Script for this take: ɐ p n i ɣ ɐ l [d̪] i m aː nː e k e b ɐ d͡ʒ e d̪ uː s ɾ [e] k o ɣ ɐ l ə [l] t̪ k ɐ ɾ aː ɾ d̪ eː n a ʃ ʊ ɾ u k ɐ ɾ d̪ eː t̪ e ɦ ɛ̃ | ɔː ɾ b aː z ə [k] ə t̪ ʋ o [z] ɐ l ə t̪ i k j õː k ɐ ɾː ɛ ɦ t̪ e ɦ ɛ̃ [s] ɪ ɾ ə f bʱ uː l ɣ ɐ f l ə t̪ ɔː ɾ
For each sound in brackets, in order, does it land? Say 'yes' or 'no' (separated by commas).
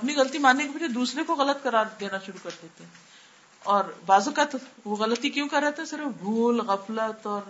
no, yes, no, yes, no, yes